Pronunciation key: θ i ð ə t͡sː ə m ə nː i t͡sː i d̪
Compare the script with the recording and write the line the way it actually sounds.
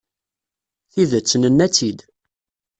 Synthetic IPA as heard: θ i ð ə t͡sː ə n ə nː æ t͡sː i d̪

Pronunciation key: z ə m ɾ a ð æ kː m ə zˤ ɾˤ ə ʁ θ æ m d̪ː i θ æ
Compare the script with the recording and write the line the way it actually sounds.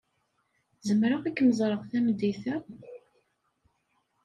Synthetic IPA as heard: z ə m ɾ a ʁ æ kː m ə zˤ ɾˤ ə ʁ θ æ m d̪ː i θ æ

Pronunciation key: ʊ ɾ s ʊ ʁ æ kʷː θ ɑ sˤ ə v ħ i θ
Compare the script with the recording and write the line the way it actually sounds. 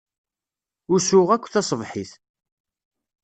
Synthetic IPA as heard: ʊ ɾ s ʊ ʁ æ kʷː θ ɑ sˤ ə v ħ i θ

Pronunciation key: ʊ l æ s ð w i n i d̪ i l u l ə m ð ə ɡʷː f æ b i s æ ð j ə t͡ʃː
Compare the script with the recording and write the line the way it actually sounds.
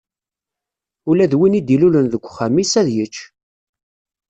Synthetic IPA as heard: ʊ l æ ð w i n i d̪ i l u l ə n ð ə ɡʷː χ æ m i s æ ð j ə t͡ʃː

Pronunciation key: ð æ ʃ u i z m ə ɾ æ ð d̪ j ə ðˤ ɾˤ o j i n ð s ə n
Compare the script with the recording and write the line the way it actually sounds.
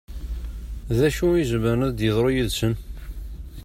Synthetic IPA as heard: ð æ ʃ u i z m ə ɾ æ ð d̪ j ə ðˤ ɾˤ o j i ð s ə n

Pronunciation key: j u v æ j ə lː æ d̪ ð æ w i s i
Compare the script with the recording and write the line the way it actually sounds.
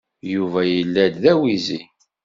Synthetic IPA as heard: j u v æ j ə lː æ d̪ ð æ w i z i

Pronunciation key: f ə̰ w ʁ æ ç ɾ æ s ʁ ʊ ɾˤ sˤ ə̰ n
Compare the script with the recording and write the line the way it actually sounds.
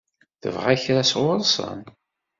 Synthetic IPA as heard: θ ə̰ v ʁ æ ç ɾ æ s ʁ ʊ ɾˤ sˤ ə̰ n

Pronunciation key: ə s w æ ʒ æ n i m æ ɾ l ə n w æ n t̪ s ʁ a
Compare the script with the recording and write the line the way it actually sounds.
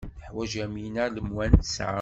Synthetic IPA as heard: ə ħ w æ ʒ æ m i n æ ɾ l ə m w æ n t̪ s ʕ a

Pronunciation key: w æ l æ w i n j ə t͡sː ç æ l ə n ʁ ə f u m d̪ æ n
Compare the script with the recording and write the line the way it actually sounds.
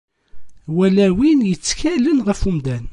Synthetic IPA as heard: w æ l æ w i n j ə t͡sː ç æ l ə n ʁ ə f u m d̪ æ n

